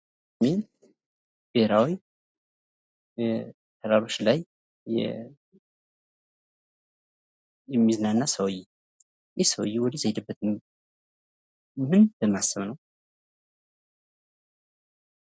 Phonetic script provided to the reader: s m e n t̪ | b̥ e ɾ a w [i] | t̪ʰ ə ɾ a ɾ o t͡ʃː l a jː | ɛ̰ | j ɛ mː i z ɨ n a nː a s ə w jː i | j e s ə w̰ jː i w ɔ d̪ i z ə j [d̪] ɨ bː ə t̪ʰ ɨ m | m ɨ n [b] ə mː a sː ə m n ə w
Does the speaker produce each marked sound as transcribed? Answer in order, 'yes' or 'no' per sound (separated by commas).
yes, yes, yes